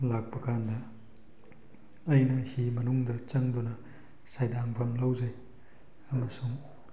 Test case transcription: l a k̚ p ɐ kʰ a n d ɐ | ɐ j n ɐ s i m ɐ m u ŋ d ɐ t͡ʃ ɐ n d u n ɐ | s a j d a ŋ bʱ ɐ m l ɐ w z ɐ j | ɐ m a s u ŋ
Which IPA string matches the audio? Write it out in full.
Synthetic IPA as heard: l a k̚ p ɐ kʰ a n d ɐ | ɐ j n ɐ h i m ɐ n u ŋ d ɐ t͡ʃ ɐ ŋ d u n ɐ | s a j d a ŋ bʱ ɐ m l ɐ w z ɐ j | ɐ m ɐ s u ŋ